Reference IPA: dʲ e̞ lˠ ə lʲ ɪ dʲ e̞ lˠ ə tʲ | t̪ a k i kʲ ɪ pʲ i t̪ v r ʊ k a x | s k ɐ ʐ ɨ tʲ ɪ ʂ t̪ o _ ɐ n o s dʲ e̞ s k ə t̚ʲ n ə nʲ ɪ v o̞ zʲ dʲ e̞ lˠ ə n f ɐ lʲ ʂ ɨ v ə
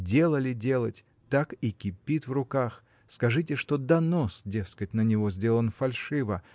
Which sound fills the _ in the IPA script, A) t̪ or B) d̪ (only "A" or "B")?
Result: B